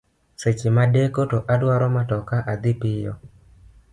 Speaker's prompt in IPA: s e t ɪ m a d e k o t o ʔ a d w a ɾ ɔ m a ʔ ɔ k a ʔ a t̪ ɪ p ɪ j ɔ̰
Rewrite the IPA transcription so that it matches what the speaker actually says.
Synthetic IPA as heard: s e t͡ʃ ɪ m a d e k o t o ʔ a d w a ɾ ɔ m a t ɔ k a ʔ a d̪ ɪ p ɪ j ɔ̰